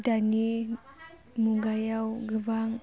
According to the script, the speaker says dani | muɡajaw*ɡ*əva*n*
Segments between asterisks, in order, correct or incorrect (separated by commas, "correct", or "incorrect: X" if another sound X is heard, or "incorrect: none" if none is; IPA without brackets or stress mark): correct, incorrect: ŋ